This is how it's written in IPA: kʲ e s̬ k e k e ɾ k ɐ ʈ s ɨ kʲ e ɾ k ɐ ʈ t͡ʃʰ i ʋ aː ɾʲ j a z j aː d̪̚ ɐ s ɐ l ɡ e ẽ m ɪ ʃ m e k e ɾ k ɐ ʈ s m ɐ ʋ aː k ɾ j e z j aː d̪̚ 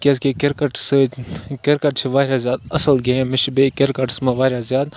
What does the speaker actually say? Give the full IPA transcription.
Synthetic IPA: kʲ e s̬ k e k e ɾ k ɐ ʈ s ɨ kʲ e ɾ k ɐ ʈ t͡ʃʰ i ʋ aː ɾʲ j a z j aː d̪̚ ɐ s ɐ l ɡ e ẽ m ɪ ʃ b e k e ɾ k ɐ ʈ s m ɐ ʋ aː ɾ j a z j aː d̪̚